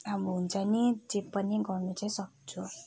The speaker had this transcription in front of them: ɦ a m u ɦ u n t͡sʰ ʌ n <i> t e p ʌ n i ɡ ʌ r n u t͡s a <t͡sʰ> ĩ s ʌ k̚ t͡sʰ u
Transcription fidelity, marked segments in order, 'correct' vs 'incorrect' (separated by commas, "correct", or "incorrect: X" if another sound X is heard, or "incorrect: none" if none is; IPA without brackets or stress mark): correct, incorrect: none